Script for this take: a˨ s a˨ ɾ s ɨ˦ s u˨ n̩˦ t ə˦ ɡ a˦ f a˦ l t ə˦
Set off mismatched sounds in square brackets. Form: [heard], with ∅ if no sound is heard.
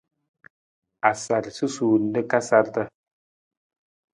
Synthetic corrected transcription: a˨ s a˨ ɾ s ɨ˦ s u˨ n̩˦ [d] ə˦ [k] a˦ [s] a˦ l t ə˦